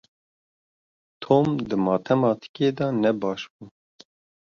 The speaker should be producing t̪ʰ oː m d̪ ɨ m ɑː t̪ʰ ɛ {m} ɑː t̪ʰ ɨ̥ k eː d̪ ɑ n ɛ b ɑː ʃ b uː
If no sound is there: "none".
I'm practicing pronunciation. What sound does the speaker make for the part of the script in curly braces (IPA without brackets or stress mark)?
m